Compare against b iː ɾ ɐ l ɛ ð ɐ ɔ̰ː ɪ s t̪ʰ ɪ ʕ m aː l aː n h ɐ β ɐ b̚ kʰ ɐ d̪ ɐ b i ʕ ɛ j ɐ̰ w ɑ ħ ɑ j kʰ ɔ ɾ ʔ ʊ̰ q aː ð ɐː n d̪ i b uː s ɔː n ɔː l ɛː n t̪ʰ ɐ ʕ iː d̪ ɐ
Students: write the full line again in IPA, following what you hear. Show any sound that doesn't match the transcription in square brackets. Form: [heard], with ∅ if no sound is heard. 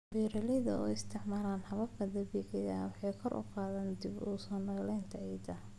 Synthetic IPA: b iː ɾ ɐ l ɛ ð ɐ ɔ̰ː ɪ s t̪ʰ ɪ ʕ m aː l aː n h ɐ β ɐ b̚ kʰ ɐ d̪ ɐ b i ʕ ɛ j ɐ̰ w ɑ ħ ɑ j kʰ ɔ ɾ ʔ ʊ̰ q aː ð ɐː n d̪ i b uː s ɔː n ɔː l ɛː n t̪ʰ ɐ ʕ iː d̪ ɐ